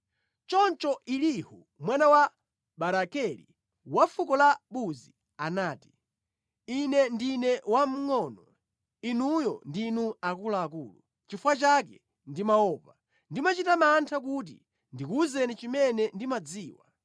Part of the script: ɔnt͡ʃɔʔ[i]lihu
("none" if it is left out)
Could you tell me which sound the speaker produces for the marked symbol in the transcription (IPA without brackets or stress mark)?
i